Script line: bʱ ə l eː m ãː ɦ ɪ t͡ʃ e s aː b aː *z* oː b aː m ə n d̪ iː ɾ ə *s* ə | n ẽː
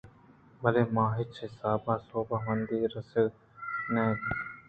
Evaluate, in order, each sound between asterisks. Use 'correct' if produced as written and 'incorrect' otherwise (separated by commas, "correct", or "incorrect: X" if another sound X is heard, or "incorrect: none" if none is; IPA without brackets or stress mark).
incorrect: s, correct